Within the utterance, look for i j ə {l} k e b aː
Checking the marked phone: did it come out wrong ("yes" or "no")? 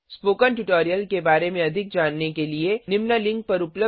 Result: no